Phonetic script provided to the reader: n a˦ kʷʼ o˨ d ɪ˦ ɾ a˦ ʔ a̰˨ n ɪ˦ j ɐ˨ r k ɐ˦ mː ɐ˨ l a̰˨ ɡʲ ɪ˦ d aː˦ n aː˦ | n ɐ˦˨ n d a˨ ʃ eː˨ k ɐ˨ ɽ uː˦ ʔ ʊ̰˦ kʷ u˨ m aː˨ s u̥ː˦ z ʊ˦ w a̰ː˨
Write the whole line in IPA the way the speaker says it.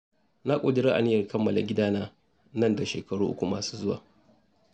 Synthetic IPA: n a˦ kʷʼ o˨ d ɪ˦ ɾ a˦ ʔ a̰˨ n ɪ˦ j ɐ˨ r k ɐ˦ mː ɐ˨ l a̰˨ ɡʲ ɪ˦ d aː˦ n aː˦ | n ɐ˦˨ n d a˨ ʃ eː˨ k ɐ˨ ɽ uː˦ ʔ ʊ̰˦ kʷ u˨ m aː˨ s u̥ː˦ z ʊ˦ w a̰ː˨